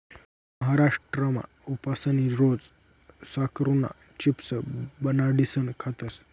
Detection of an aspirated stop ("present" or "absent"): present